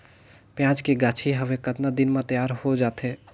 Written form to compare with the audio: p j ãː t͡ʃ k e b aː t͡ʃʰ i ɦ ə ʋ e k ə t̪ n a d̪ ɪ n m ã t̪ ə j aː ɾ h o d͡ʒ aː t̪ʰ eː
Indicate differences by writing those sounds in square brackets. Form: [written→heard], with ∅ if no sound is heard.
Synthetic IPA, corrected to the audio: p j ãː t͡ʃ k e [b→ɡ] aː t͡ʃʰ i ɦ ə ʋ e k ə t̪ n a d̪ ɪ n m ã t̪ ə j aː ɾ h o d͡ʒ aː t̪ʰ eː